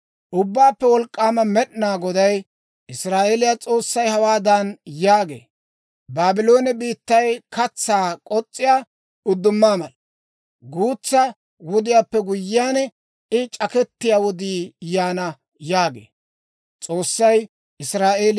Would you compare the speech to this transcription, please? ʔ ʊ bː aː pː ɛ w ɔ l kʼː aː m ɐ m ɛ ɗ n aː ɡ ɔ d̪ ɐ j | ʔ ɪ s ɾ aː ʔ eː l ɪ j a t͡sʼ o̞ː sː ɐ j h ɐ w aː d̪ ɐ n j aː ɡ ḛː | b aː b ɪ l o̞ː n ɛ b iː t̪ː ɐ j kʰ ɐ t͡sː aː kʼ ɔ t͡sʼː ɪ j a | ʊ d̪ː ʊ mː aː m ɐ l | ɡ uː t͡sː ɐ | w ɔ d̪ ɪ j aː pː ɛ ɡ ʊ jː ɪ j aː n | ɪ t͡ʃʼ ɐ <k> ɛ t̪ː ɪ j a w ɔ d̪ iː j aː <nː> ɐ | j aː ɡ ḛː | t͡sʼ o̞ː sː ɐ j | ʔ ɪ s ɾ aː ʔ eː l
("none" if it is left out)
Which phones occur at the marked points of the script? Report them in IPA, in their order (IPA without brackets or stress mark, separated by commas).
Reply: k, n